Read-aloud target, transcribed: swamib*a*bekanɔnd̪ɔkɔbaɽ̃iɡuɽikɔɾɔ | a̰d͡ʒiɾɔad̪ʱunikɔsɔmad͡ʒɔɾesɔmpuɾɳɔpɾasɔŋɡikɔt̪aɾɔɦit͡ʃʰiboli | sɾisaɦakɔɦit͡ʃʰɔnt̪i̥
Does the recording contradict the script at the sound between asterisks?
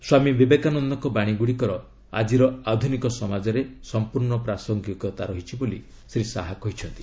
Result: yes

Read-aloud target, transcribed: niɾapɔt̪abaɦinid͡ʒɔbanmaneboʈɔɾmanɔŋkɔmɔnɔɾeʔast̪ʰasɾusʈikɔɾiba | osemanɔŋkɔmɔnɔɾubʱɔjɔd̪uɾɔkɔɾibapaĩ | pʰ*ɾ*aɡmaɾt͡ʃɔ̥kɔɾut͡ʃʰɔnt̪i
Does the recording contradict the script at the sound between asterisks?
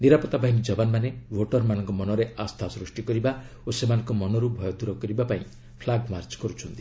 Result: yes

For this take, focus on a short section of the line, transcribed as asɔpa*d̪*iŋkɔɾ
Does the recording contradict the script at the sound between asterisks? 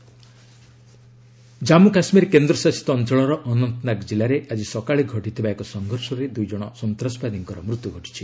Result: no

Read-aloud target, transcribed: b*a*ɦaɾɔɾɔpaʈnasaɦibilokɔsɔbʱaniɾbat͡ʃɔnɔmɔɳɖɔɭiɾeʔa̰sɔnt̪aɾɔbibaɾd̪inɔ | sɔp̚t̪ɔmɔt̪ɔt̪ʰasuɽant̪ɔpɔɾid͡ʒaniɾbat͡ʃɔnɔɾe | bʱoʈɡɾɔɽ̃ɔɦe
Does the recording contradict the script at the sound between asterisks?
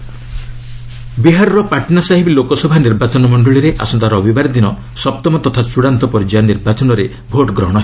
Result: yes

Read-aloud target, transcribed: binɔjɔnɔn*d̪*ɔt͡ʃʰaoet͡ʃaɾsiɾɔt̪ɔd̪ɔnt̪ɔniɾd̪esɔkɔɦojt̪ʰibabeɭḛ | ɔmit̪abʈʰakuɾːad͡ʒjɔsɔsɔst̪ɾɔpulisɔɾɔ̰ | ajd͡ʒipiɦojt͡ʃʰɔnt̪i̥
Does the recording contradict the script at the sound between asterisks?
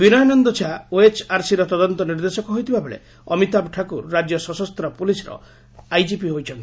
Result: no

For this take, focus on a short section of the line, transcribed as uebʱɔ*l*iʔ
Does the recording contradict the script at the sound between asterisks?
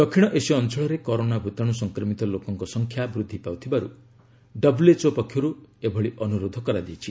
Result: yes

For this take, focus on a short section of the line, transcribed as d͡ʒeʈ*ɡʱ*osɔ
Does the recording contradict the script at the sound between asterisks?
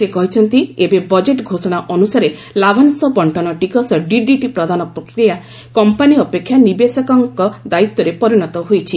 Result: no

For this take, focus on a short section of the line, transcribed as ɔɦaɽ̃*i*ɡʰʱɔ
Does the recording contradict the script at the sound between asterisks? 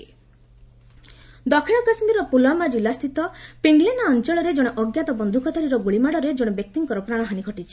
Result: no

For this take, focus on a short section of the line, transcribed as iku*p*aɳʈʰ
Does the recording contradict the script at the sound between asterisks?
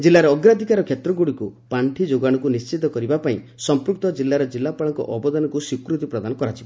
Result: no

